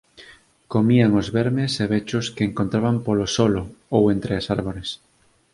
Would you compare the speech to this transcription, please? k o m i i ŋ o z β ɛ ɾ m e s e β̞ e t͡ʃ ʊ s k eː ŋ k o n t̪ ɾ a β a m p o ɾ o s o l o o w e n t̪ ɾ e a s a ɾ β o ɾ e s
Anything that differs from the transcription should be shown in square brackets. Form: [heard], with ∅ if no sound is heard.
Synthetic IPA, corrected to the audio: k o m i [a] ŋ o z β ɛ ɾ m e s e β̞ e t͡ʃ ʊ s k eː ŋ k o n t̪ ɾ a β a m p o [l] o s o l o o w e n t̪ ɾ e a s a ɾ β o ɾ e s